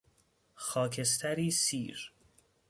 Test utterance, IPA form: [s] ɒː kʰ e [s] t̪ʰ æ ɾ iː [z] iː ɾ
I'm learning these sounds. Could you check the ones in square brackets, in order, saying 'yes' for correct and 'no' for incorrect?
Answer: no, yes, no

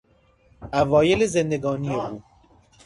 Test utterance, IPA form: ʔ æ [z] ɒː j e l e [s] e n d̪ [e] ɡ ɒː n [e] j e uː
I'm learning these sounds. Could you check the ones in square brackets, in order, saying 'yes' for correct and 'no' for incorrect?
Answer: no, no, yes, no

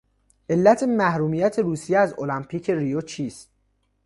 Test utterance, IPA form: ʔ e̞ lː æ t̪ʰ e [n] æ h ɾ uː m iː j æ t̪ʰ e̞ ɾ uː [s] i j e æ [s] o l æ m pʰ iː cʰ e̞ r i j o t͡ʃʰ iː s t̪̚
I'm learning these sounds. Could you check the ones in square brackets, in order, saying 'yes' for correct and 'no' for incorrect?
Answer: no, yes, no

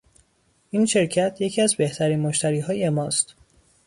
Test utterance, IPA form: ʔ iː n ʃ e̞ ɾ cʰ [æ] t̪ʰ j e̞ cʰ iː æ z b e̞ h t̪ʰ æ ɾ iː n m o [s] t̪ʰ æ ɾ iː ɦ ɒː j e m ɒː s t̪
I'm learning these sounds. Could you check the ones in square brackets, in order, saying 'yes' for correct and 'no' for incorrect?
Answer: yes, no

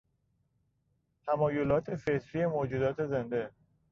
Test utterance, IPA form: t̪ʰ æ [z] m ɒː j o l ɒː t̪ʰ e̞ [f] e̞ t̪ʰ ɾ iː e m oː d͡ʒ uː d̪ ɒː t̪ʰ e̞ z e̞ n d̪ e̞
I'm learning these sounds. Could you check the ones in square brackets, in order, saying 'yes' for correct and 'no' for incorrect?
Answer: no, yes

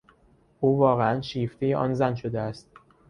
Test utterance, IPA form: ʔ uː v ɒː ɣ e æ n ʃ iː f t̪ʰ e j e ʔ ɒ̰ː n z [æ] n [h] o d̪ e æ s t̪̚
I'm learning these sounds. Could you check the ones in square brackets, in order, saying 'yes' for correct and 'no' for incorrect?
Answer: yes, no

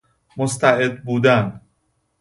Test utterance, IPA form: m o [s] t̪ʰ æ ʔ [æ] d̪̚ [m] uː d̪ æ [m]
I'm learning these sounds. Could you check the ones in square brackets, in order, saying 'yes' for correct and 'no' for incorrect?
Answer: yes, no, no, no

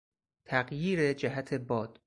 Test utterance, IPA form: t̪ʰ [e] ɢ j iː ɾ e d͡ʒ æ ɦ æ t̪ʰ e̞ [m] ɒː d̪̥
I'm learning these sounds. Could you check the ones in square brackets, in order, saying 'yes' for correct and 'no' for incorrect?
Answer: no, no

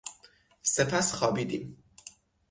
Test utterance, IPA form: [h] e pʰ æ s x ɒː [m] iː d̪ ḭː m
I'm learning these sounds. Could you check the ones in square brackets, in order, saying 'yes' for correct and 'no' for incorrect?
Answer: no, no

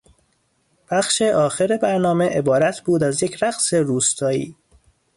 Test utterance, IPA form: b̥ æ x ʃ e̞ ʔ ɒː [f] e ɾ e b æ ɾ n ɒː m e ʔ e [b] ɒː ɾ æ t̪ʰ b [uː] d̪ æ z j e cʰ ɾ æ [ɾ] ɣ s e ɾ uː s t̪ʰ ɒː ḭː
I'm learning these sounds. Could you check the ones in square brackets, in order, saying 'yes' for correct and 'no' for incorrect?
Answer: no, yes, yes, no

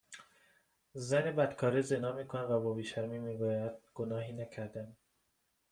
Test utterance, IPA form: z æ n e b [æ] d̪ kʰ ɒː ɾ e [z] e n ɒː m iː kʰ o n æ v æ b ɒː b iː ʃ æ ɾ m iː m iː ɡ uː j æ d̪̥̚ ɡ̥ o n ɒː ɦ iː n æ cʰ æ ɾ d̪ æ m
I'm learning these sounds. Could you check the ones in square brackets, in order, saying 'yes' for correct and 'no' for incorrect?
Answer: yes, yes

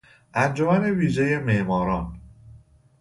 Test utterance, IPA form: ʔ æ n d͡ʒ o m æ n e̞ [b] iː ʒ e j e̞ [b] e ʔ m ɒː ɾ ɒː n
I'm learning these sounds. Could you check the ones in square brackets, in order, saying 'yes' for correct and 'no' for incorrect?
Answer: no, no

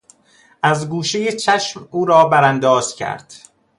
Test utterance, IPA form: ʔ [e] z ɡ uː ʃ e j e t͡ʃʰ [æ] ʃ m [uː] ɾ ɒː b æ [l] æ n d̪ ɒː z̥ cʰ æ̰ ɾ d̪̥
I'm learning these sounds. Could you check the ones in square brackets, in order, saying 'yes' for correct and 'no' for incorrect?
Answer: no, yes, yes, no

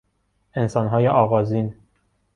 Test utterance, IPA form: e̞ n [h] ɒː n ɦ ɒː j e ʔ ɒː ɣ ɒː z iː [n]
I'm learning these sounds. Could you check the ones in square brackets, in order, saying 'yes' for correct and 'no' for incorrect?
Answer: no, yes

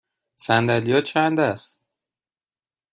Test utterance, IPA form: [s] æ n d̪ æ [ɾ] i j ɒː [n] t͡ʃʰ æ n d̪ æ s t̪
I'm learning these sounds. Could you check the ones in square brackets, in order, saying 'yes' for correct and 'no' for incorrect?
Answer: yes, no, no

